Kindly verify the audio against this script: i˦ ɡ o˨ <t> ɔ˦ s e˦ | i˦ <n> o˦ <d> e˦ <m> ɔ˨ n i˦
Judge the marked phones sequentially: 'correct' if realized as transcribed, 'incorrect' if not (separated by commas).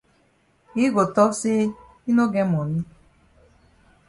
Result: correct, correct, incorrect, correct